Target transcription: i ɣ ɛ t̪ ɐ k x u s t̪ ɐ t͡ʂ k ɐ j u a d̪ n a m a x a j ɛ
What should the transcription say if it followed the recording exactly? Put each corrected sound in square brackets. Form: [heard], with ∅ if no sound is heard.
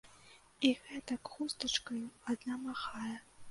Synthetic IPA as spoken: i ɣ ɛ t̪ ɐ k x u s t̪ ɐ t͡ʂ k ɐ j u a d̪ n a m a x a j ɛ